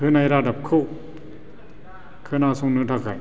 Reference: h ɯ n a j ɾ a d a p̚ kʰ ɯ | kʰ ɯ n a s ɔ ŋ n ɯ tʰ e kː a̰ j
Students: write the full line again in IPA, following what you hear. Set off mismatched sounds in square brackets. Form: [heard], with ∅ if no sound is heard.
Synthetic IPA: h ɯ n a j ɾ a d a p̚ kʰ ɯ | kʰ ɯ n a s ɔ ŋ n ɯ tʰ [a] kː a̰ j

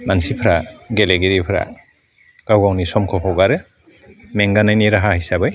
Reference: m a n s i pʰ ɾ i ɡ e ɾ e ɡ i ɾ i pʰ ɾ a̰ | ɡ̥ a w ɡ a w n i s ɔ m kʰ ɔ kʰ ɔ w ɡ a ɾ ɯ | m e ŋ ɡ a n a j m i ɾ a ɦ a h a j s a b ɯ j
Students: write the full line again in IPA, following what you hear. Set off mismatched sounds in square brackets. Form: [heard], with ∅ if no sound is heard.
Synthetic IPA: m a n s i pʰ ɾ [a] ɡ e [l] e ɡ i ɾ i pʰ ɾ a̰ | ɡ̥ a w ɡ a w n i s ɔ m kʰ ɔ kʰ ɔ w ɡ a ɾ ɯ | m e ŋ ɡ a n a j [n] i ɾ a ɦ a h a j s a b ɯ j

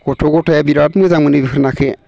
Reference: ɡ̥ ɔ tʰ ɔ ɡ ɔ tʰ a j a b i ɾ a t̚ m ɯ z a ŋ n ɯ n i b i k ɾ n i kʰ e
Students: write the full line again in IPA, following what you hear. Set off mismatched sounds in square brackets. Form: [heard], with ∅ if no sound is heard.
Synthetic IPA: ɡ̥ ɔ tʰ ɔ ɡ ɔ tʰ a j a b i ɾ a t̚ m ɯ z a ŋ [m] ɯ n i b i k ɾ n [a] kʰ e

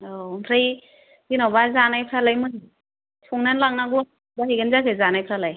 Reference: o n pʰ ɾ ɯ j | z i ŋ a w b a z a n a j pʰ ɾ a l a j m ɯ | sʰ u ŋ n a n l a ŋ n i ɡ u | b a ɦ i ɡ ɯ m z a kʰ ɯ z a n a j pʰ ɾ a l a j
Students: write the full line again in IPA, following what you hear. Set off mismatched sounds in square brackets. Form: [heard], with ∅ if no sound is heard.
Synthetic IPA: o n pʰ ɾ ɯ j | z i [n] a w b a z a n a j pʰ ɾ a l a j m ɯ | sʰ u ŋ n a n l a ŋ n [a] ɡ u | b a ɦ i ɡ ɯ [n] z a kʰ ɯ z a n a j pʰ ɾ a l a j

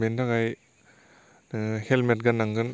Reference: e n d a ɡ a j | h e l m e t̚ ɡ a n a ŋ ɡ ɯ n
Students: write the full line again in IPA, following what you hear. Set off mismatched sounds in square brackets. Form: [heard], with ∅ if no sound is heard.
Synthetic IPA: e n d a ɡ a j | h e l m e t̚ ɡ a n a ŋ ɡ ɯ n

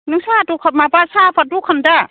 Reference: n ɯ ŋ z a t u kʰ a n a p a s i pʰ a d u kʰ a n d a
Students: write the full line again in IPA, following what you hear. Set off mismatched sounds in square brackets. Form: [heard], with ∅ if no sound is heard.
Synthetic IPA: n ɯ ŋ [s] a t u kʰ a [m] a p a s [a] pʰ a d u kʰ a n d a

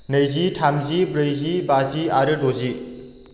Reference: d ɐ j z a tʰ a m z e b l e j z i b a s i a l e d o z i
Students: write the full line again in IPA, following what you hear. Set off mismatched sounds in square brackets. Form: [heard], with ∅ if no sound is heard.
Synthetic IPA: [n] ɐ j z [i] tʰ a m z [i] b [ɾ] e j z i b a [z] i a [ɾ] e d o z i

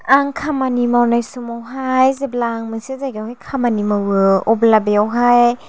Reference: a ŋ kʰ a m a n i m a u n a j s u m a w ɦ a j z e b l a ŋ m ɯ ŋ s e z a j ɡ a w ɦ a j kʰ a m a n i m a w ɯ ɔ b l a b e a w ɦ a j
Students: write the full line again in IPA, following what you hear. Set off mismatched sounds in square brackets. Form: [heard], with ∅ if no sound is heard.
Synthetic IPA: a ŋ kʰ a m a n i m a [w] n a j s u m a w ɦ a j z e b l a ŋ m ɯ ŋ s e z a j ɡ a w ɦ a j kʰ a m a n i m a w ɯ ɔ b l a b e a w ɦ a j

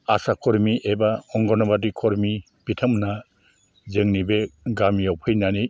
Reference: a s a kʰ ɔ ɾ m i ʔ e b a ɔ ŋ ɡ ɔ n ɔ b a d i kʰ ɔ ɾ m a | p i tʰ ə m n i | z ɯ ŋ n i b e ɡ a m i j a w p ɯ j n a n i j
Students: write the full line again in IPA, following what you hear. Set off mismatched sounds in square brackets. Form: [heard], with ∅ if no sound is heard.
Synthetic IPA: a s a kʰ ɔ ɾ m i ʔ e b a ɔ ŋ ɡ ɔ n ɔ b a d i kʰ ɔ ɾ m [i] | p i tʰ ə m n [a] | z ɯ ŋ n i b e ɡ a m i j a w [pʰ] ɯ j n a n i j

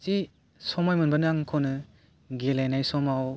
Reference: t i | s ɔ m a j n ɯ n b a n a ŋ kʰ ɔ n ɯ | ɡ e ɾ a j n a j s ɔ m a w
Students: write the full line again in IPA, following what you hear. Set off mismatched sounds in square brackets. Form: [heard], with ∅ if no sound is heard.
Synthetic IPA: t i | s ɔ m a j [m] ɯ n b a n a ŋ kʰ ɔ n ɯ | ɡ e [l] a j n a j s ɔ m a w

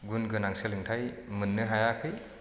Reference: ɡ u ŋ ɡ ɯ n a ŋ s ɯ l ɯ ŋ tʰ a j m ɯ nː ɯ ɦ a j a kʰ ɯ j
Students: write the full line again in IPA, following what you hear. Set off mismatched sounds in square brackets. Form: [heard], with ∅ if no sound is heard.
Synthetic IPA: ɡ u [n] ɡ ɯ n a ŋ s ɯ l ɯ ŋ tʰ a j m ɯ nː ɯ ɦ a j a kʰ ɯ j

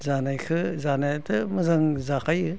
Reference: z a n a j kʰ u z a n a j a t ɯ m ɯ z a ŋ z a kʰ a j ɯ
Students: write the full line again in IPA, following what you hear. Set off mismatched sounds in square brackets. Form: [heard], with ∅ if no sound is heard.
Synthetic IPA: z a n a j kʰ [ɯ] z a n a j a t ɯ m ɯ z a ŋ z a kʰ a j ɯ

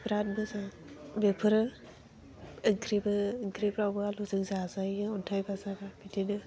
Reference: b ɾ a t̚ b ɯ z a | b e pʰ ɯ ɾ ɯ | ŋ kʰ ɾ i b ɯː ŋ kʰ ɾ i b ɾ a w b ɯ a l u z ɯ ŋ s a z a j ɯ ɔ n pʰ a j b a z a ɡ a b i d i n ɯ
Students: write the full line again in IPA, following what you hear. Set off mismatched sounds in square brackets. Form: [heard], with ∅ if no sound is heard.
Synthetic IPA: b ɾ a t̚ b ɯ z a | b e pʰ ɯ ɾ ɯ | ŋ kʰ ɾ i b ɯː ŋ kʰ ɾ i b ɾ a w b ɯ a l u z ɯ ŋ [z] a z a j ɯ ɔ n [tʰ] a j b a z a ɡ a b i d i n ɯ

